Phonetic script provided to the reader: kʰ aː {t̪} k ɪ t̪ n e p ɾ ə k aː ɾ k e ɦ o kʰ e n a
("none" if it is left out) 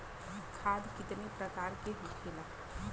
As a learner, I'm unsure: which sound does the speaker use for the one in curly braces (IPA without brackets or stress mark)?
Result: d̪